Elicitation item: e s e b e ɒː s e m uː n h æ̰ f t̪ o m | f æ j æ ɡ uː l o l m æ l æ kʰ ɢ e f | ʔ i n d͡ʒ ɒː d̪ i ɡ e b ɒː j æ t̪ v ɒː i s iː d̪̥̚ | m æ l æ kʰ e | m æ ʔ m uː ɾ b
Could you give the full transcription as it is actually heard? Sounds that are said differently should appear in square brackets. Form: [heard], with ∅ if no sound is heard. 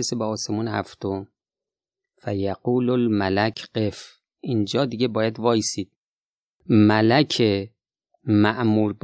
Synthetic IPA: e s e b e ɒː s e m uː n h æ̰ f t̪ o m | f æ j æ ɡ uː l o l m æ l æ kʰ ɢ e f | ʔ i n d͡ʒ ɒː d̪ i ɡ e b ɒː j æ [d̪] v ɒː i s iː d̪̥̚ | m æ l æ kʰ e | m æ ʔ m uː ɾ b